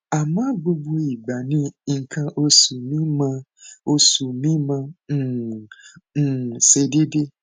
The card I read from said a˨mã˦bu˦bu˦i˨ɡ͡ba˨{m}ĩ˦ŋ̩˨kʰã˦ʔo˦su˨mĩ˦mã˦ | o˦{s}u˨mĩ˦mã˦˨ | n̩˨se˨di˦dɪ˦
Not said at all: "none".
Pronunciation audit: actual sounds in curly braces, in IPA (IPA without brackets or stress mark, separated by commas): n, s